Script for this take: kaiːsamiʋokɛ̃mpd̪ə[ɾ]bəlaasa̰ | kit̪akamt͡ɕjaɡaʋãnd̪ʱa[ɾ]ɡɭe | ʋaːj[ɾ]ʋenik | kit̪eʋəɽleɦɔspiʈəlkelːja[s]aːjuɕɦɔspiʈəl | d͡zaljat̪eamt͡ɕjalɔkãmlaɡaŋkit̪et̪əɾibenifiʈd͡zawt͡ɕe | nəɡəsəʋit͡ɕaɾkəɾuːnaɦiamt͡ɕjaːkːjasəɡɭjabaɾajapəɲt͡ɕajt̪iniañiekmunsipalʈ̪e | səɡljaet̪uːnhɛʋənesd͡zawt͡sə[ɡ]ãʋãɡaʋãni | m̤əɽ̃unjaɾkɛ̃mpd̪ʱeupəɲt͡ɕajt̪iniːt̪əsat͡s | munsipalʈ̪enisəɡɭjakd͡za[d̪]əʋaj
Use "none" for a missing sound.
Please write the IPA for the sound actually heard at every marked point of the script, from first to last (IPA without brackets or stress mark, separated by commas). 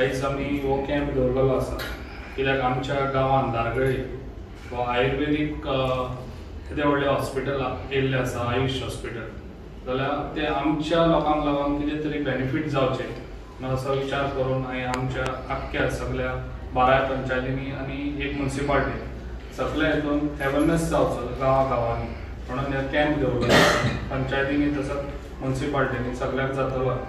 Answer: ɾ, ɾ, ɾ, s, ɡ, t̪